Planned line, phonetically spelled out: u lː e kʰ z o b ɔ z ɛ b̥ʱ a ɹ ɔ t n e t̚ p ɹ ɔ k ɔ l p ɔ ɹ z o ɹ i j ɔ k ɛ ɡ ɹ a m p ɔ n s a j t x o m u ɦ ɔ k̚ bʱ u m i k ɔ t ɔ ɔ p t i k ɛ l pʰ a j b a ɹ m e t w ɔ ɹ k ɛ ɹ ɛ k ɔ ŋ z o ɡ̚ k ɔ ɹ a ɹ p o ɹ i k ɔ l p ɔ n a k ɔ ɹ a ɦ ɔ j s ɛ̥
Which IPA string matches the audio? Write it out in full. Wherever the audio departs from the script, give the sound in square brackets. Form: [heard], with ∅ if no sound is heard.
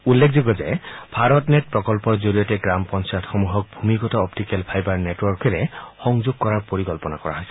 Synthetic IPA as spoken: u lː e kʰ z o [ɡ] ɔ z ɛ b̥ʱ a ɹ ɔ t n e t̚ p ɹ ɔ k ɔ l p ɔ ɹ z o ɹ i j ɔ [t] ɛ ɡ ɹ a m p ɔ n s a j t x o m u ɦ ɔ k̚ bʱ u m i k ɔ t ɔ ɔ p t i k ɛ l pʰ a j b a ɹ [n] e t w ɔ ɹ k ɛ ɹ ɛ [x] ɔ ŋ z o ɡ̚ k ɔ ɹ a ɹ p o ɹ i k ɔ l p ɔ n a k ɔ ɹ a ɦ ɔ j s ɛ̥